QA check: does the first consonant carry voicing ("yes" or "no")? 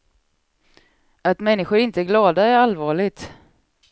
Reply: no